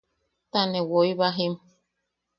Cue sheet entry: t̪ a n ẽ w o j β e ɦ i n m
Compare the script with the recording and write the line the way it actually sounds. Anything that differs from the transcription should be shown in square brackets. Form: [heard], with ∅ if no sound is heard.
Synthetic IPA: t̪ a n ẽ w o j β [a] ɦ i [∅] m